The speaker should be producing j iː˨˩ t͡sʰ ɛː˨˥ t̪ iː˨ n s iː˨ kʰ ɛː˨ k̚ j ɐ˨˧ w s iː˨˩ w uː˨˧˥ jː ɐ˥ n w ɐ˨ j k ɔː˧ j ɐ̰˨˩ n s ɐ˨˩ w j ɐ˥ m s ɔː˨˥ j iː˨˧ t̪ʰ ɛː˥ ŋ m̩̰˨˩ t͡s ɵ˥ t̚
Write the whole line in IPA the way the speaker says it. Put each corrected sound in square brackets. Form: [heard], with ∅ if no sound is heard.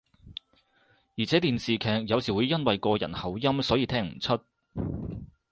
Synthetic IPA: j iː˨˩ t͡sʰ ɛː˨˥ t̪ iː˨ n s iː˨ kʰ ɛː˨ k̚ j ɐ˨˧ w s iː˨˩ w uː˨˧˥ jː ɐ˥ n w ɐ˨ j k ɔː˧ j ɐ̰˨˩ n [h] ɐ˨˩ w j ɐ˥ m s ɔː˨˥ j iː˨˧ t̪ʰ ɛː˥ ŋ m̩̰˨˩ [t͡sʰ] ɵ˥ t̚